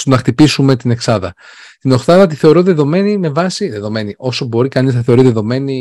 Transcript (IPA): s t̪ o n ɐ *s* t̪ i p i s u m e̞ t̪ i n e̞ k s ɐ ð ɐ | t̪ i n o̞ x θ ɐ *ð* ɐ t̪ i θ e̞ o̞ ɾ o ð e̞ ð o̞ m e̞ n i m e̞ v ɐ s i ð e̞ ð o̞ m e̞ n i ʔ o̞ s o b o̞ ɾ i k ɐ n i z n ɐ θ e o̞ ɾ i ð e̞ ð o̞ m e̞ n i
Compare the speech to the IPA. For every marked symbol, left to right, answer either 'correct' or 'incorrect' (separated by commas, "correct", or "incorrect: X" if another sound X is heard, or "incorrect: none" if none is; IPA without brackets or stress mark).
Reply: incorrect: x, correct